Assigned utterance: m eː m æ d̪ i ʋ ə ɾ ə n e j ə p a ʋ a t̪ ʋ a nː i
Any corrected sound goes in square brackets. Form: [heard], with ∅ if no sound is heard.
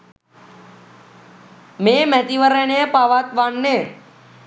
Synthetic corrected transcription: m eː m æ [t̪] i ʋ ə ɾ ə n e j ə p a ʋ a t̪ ʋ a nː [e]